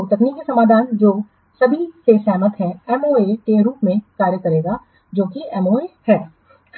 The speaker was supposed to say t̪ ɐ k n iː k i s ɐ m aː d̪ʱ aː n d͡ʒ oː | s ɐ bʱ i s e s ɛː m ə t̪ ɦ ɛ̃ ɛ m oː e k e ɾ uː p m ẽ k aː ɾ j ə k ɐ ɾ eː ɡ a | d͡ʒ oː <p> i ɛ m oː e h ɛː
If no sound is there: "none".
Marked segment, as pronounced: k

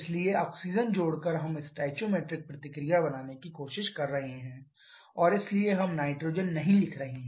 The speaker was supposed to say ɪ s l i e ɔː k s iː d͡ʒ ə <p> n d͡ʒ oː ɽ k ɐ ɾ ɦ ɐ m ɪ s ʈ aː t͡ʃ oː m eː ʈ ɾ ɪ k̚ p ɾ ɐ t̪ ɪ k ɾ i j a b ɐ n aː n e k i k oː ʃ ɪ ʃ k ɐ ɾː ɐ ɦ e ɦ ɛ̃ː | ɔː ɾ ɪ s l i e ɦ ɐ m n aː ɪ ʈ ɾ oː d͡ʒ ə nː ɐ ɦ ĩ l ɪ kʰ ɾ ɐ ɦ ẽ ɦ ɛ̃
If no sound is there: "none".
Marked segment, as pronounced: none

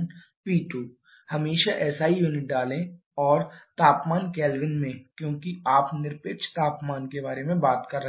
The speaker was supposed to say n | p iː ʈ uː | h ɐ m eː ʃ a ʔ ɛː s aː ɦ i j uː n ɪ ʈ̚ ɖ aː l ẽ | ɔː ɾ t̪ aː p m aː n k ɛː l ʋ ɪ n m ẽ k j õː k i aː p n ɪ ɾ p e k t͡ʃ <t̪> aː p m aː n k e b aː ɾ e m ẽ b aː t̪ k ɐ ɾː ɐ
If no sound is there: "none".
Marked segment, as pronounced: t̪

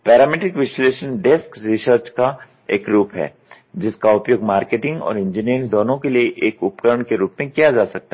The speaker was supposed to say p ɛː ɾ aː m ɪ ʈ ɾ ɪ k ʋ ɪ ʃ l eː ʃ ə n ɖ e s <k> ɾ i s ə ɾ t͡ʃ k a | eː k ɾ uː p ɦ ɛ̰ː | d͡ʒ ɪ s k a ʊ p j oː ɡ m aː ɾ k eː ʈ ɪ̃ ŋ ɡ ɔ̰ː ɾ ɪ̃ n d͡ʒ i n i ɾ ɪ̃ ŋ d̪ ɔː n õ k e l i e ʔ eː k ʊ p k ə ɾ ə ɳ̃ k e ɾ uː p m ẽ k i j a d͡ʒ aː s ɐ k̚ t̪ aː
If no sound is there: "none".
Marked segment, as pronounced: k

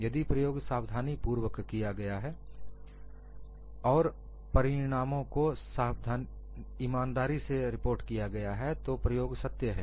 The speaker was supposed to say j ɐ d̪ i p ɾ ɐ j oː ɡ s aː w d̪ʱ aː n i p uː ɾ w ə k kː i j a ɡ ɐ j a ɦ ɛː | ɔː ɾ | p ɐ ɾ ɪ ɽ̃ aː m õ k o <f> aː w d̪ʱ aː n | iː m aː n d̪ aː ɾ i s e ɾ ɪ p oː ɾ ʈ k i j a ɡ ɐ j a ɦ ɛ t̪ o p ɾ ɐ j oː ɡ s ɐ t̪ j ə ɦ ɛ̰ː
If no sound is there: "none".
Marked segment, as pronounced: s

